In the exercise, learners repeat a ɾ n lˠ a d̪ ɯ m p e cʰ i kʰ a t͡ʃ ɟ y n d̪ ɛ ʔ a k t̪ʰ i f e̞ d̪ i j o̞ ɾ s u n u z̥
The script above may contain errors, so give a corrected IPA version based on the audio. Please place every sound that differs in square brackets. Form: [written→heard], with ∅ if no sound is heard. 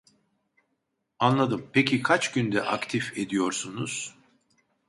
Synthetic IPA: a [ɾ→∅] n lˠ a d̪ ɯ m p e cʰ i kʰ a t͡ʃ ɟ y n d̪ ɛ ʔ a k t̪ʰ i f e̞ d̪ i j o̞ ɾ s u n u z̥